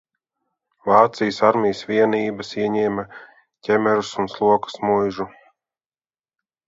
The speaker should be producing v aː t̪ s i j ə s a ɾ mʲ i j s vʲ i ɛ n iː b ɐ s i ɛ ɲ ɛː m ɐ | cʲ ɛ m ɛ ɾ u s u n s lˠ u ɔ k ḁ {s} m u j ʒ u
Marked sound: correct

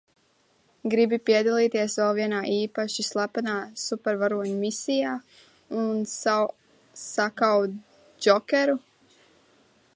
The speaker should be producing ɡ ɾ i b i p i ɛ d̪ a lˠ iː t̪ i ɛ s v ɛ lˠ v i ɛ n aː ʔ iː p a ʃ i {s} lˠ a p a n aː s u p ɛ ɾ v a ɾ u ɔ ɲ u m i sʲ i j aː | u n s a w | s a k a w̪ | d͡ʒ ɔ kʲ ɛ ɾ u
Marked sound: correct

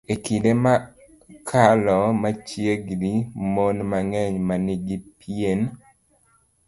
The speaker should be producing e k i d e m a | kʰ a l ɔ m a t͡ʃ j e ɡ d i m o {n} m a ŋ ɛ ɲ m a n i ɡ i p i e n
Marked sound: correct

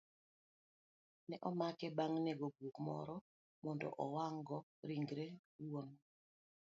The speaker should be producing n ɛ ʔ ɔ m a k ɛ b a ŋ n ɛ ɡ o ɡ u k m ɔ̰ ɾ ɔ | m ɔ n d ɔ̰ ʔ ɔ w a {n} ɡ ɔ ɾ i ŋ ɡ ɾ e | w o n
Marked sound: incorrect: ŋ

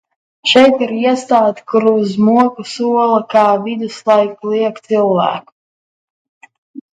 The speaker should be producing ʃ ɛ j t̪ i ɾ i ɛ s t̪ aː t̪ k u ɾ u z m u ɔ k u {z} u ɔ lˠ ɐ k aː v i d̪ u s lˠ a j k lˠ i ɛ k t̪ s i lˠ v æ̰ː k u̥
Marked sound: incorrect: s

